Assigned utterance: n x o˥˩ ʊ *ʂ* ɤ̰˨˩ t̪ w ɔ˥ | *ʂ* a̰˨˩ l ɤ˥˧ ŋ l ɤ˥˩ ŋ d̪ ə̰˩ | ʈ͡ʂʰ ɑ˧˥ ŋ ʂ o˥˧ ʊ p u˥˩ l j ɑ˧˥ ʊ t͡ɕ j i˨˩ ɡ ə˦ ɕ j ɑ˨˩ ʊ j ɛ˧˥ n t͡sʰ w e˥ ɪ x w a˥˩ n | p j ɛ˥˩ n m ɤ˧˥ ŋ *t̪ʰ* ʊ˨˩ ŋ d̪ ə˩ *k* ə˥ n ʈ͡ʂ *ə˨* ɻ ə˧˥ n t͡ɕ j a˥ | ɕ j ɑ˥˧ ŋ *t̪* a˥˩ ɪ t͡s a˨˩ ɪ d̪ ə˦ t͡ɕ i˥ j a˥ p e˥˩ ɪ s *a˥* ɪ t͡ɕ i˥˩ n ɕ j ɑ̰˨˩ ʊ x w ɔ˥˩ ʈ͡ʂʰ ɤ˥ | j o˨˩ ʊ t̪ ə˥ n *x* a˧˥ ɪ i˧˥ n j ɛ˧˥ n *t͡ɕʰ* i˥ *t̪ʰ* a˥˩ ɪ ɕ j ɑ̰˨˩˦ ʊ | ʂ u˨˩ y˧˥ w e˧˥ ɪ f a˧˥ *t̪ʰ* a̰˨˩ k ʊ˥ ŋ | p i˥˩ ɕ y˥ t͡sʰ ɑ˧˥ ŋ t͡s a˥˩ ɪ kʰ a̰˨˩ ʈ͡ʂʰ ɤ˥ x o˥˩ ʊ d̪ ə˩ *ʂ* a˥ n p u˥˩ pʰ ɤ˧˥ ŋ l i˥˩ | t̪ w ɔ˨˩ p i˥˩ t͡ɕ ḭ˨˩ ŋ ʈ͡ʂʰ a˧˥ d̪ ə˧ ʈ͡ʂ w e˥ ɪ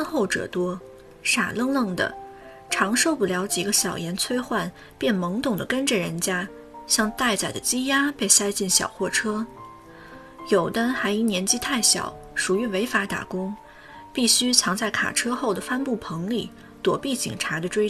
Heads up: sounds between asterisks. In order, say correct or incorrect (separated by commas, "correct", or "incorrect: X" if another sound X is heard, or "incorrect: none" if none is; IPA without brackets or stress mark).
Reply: incorrect: ʈ͡ʂ, correct, incorrect: t̪, correct, correct, correct, correct, correct, incorrect: t͡ɕ, correct, incorrect: t̪, incorrect: f